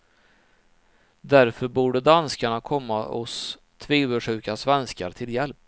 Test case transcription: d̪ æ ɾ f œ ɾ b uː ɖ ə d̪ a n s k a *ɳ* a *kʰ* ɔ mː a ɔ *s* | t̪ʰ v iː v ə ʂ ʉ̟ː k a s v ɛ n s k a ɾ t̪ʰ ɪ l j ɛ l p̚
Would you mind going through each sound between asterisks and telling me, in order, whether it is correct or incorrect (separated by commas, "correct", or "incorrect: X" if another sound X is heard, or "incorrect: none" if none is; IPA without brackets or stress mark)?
correct, correct, correct